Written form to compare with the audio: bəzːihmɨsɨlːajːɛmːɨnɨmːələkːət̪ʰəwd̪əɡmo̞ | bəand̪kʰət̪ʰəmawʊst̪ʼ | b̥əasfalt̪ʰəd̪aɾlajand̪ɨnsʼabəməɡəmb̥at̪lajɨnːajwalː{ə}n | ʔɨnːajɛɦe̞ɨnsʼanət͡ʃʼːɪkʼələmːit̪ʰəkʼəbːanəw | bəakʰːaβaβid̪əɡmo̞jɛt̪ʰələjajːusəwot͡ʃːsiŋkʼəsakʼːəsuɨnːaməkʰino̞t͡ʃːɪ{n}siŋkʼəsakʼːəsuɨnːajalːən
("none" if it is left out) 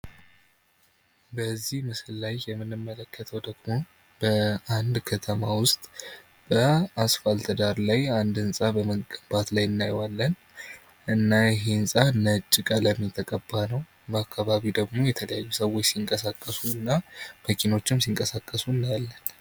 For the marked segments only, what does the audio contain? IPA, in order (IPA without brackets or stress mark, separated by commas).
ə, m